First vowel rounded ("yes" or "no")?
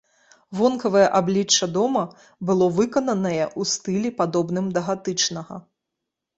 yes